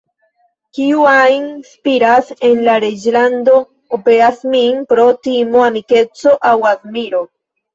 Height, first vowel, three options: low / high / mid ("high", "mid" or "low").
high